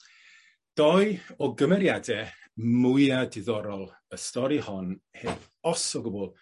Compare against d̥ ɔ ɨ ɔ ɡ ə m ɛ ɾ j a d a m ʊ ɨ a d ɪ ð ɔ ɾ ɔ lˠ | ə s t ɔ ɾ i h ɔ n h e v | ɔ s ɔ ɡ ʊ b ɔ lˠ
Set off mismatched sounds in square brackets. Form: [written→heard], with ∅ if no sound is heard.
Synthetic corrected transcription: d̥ ɔ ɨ ɔ ɡ ə m ɛ ɾ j a d [a→ɛ] m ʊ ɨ a d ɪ ð ɔ ɾ ɔ lˠ | ə s t ɔ ɾ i h ɔ n h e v | ɔ s ɔ ɡ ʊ b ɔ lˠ